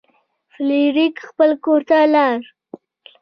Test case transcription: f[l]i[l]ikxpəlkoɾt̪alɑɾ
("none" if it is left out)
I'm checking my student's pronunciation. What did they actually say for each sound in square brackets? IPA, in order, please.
l, ɾ

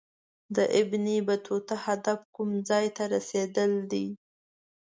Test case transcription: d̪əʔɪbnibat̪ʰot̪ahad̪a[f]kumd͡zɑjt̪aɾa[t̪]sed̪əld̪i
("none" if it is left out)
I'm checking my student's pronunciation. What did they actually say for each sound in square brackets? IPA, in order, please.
f, none

